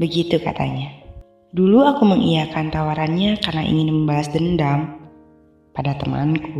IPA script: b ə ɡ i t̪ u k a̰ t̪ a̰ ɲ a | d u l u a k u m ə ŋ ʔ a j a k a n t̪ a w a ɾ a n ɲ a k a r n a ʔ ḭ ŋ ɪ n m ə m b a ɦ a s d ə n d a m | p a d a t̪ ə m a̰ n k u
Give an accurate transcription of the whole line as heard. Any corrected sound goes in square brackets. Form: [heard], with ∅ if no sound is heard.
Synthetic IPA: b ə ɡ i t̪ u k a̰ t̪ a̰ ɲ a | d u l u a k u m ə ŋ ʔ [i] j a k a n t̪ a w a ɾ a n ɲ a k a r n a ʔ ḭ ŋ ɪ n m ə m b a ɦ a s d ə n d a m | p a d a t̪ ə m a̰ n k u